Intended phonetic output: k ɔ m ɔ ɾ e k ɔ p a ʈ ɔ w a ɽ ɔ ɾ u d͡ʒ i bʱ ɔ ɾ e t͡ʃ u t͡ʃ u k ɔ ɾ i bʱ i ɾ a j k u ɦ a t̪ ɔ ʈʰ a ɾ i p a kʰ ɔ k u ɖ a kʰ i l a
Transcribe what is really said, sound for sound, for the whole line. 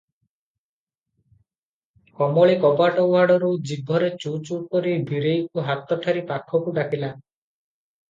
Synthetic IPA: k ɔ m ɔ ɭ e k ɔ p a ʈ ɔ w a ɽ ɔ ɾ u d͡ʒ i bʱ ɔ ɾ e t͡ʃ u t͡ʃ u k ɔ ɾ i bʱ i ɾ e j k u ɦ a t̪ ɔ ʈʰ a ɾ i p a kʰ ɔ k u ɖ a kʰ i l a